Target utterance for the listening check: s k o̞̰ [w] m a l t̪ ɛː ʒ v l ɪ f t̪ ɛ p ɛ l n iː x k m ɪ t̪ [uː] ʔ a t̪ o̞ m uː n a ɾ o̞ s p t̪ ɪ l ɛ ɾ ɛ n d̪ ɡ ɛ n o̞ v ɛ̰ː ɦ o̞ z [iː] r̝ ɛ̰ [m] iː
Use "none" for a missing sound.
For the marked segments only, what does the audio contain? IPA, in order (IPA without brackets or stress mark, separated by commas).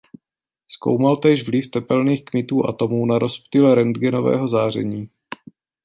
w, uː, aː, ɲ